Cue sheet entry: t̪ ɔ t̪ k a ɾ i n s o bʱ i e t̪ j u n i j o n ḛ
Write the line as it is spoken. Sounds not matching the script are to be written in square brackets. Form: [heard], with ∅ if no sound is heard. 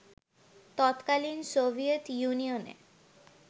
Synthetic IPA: t̪ ɔ t̪ k a [l] i n s o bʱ i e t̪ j u n i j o n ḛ

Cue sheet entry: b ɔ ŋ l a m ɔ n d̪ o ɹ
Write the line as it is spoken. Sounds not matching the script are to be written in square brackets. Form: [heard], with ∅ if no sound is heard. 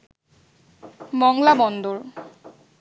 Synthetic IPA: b ɔ ŋ l a [b] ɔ n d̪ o ɹ

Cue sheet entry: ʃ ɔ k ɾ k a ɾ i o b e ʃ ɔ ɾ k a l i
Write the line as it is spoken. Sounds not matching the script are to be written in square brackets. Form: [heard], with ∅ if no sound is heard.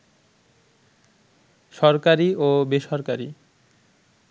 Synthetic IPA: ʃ ɔ [∅] ɾ k a ɾ i o b e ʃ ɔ ɾ k a [ɾ] i

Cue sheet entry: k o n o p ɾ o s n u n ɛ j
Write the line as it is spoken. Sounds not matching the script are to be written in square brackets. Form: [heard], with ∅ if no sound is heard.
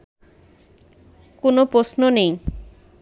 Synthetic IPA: k o n o p ɾ o s n [o] n [e] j

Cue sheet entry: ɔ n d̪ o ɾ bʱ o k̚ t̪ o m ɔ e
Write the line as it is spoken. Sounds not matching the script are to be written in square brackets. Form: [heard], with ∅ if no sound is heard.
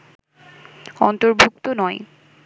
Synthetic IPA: ɔ n [t̪] o ɾ bʱ [u] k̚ t̪ o [n] ɔ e

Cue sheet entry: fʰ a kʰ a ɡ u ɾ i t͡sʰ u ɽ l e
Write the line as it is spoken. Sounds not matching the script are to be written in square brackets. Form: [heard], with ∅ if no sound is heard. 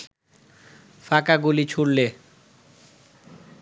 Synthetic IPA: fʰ a [k] a ɡ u [l] i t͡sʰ u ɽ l e

